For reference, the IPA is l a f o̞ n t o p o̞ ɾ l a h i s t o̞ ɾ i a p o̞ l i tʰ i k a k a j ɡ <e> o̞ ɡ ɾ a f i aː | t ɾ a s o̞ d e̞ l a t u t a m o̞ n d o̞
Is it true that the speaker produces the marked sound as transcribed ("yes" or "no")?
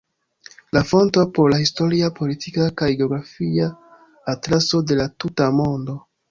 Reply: yes